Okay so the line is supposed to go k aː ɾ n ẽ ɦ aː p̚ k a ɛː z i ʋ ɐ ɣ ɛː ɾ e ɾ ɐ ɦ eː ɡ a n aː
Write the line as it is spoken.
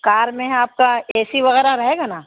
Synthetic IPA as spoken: k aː ɾ m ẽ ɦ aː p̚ k a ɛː s i ʋ ɐ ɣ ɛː ɾ a ɾ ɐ ɦ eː ɡ a n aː